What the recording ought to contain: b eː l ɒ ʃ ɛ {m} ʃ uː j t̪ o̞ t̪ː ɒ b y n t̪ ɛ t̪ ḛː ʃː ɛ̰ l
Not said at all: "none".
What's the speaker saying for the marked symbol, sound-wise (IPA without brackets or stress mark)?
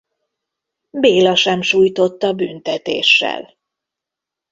m